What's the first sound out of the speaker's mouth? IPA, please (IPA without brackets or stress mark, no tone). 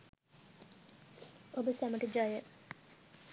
o